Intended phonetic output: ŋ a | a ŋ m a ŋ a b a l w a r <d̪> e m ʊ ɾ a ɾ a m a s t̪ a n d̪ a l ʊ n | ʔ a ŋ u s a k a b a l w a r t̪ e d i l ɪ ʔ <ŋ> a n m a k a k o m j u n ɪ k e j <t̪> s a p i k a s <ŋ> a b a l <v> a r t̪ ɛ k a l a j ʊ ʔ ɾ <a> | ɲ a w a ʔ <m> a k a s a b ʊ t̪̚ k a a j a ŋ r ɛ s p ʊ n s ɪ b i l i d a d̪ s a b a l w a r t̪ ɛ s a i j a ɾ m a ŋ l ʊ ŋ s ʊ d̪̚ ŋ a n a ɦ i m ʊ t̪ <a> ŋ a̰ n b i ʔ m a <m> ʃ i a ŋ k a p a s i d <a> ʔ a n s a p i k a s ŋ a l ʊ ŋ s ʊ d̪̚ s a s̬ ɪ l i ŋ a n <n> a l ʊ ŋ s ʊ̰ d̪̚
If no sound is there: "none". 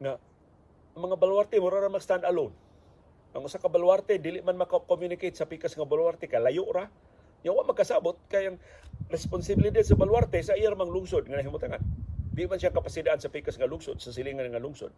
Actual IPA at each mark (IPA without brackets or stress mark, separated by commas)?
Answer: t̪, m, t̪, ŋ, w, a, m, a, n, a, ŋ